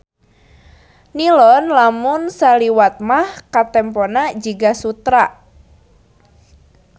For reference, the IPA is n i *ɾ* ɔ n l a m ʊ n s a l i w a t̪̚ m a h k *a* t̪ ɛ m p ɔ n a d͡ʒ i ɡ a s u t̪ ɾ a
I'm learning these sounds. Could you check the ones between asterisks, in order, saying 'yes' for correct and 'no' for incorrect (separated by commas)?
no, yes